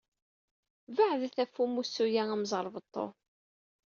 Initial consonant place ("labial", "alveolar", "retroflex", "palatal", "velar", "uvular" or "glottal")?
labial